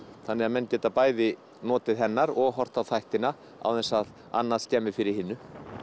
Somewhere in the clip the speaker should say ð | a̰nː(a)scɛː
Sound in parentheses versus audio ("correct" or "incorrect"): correct